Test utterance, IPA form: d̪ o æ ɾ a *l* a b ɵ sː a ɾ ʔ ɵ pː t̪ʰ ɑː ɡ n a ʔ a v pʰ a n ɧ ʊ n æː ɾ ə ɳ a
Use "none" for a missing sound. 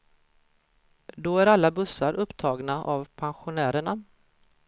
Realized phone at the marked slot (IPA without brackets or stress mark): lː